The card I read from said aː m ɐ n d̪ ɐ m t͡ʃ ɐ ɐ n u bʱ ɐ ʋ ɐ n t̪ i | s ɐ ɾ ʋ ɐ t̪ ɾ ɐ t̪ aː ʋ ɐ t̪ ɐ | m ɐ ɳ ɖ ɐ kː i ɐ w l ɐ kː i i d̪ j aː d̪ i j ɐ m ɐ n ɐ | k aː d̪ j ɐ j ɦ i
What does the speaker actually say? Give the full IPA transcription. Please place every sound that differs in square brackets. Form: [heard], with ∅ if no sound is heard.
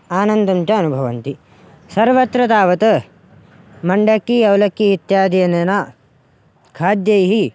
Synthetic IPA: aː [n] ɐ n d̪ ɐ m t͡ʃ ɐ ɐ n u bʱ ɐ ʋ ɐ n t̪ i | s ɐ ɾ ʋ ɐ t̪ ɾ ɐ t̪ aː ʋ ɐ t̪ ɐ | m ɐ ɳ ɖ ɐ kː i ɐ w l ɐ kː i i [t̪] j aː d̪ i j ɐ [n] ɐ n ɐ | [kʰ] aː d̪ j ɐ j ɦ i